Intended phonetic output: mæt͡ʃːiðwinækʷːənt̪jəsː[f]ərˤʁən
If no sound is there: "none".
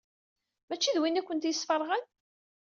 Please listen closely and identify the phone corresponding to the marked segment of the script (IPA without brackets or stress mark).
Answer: f